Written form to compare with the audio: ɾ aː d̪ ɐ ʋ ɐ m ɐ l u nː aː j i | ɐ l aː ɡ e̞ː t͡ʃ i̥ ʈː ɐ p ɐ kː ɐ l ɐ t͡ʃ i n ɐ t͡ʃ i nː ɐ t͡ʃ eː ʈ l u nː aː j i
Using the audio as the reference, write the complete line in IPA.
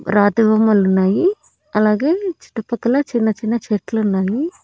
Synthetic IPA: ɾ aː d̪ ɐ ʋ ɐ m ɐ l u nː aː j i | ɐ l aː ɡ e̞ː t͡ʃ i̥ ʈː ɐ p ɐ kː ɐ l ɐ t͡ʃ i nː ɐ t͡ʃ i nː ɐ t͡ʃ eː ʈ l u nː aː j i

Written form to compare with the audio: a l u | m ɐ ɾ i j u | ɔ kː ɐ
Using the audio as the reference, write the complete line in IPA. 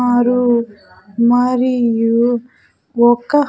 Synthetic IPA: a ɾ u | m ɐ ɾ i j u | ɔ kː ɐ

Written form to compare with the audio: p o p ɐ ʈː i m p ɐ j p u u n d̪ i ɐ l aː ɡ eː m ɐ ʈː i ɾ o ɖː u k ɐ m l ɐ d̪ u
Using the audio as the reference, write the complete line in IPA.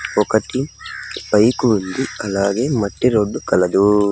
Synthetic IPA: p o k ɐ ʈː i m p ɐ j k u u n d̪ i ɐ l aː ɡ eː m ɐ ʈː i ɾ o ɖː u k ɐ l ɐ d̪ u

